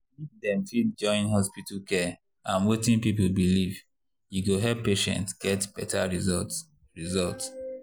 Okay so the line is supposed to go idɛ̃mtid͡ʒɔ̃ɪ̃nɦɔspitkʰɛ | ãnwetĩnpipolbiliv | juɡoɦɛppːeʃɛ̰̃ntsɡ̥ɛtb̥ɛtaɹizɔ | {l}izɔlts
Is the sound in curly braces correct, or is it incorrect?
incorrect